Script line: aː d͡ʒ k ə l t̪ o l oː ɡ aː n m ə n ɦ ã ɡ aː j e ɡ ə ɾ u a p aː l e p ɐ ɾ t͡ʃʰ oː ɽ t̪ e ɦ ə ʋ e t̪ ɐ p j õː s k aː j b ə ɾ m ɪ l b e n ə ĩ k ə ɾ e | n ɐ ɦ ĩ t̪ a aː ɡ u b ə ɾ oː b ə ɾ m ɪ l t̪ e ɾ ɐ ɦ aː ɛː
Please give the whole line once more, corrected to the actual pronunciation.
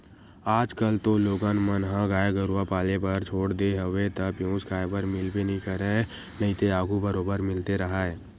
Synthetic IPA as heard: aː d͡ʒ k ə l t̪ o l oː ɡ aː n m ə n ɦ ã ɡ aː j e ɡ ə ɾ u a p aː l e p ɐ ɾ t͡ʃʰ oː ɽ d̪ e ɦ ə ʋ e t̪ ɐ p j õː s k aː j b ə ɾ m ɪ l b e n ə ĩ k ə ɾ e | n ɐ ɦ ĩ t̪ e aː ɡ u b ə ɾ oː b ə ɾ m ɪ l t̪ e ɾ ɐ ɦ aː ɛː